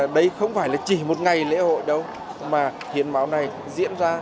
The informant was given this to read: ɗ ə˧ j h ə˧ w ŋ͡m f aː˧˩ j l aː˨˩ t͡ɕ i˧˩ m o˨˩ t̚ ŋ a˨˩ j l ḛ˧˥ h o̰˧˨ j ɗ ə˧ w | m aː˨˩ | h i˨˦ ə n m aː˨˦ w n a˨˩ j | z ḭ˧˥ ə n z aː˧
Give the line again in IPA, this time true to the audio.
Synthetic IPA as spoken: ɗ ə˧ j x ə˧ w ŋ͡m f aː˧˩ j l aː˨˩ t͡ɕ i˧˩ m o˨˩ t̚ ŋ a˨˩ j l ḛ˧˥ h o̰˧˨ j ɗ ə˧ w | m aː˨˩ | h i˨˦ ə n m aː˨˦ w n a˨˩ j | z ḭ˧˥ ə n z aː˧